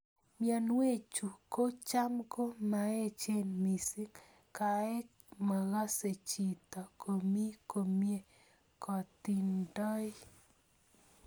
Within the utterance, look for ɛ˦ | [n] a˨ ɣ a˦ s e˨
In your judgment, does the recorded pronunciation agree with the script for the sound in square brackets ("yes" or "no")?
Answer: no